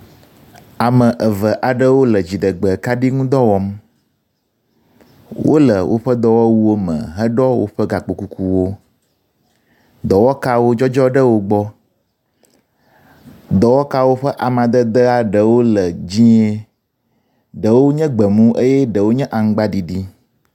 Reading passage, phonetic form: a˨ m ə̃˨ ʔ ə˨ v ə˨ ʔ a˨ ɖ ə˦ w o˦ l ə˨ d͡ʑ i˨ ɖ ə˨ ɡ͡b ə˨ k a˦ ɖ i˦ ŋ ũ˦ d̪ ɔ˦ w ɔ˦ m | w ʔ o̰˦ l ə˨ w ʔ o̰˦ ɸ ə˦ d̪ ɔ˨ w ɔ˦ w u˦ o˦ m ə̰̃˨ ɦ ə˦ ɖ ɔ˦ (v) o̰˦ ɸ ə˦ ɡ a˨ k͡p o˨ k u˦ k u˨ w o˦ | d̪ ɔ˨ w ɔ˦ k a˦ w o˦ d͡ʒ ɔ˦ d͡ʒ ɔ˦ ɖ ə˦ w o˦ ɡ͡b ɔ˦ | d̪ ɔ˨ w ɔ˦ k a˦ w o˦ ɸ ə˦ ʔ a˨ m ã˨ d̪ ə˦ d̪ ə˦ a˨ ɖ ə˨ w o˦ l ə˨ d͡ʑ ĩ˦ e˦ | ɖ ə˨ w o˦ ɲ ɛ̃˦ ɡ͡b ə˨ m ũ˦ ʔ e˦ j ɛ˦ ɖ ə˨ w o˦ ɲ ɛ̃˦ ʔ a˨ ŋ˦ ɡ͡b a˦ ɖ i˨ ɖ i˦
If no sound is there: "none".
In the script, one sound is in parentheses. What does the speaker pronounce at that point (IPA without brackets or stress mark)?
w